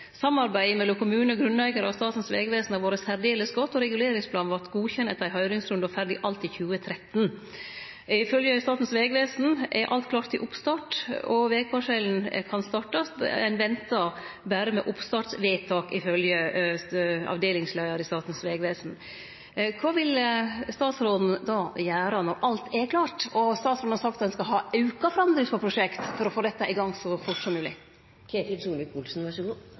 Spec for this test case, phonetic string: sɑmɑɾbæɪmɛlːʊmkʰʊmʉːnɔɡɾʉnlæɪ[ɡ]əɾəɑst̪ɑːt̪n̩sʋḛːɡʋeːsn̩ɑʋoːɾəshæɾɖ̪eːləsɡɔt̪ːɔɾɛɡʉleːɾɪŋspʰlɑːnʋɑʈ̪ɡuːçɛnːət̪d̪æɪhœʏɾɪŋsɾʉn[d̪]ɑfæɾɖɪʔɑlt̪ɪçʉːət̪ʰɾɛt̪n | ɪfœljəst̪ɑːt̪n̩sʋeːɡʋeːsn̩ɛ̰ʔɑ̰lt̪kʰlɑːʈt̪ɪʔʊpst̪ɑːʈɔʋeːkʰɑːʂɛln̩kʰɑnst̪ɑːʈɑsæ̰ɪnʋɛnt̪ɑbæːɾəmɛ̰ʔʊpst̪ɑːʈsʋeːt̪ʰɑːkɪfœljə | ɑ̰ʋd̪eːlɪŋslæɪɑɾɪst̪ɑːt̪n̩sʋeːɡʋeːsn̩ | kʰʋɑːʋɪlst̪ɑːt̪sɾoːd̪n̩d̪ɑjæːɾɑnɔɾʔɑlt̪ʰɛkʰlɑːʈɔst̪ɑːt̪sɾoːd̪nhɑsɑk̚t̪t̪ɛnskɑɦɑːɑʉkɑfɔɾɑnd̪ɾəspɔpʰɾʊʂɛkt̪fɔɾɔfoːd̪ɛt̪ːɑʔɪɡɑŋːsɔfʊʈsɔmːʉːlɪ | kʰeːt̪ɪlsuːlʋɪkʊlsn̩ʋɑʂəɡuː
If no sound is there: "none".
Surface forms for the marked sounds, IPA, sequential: ɡ, d̪

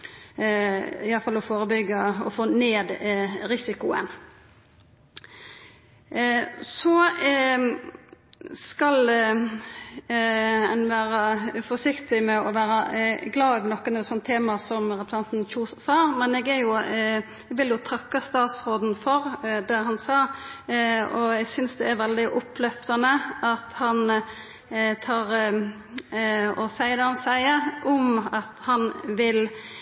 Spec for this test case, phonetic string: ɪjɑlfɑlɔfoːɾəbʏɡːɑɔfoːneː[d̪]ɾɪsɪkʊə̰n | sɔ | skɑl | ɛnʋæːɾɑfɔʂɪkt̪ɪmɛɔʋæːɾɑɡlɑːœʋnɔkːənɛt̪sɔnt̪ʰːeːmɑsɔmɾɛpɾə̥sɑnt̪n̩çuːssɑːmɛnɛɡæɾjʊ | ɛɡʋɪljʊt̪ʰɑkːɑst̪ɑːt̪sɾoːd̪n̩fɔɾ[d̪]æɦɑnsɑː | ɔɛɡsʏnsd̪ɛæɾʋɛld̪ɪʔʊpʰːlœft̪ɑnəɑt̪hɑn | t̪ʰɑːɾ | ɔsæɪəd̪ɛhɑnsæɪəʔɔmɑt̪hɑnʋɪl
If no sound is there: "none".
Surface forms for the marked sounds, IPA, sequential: d̪, d̪

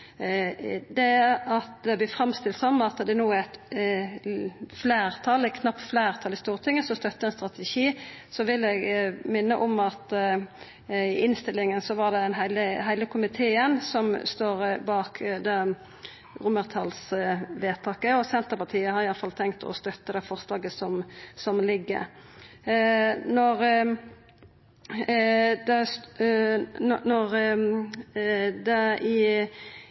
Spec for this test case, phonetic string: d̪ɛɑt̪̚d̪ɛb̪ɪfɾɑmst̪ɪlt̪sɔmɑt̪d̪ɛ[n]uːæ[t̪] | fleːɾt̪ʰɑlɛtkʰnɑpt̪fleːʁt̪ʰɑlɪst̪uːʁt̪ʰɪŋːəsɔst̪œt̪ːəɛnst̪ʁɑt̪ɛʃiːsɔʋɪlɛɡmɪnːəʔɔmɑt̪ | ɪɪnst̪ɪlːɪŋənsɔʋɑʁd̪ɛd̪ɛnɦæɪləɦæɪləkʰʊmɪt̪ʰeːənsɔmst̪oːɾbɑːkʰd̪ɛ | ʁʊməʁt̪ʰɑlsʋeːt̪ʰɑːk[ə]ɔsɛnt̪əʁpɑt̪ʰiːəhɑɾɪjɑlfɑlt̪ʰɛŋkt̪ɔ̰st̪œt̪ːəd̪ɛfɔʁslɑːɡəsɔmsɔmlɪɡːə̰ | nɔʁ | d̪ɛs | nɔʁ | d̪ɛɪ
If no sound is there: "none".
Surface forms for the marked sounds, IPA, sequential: n, t̪, ə

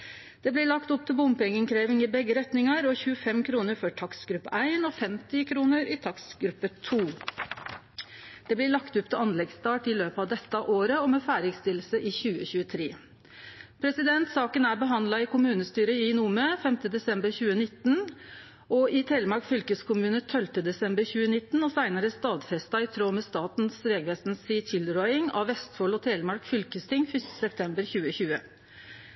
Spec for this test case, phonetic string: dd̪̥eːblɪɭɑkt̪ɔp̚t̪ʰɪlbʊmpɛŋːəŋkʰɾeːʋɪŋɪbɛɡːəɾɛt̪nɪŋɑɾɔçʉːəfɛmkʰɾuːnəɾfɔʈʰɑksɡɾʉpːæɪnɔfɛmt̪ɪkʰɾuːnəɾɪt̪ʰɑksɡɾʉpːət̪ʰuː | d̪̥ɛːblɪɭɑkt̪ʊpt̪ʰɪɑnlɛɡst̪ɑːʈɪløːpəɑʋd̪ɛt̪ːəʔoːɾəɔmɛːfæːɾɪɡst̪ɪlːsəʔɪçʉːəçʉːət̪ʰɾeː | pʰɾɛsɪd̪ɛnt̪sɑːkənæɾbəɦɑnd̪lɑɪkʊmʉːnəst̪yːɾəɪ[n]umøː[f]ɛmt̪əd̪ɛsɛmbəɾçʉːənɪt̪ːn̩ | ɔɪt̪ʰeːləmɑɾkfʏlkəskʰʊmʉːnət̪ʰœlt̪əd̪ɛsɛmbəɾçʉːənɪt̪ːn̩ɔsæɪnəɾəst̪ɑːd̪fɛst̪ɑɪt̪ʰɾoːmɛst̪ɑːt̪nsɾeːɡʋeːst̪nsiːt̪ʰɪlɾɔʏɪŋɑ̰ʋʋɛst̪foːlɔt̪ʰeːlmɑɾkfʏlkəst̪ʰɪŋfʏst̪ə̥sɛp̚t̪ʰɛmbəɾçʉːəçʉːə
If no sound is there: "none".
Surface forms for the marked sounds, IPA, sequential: n, f

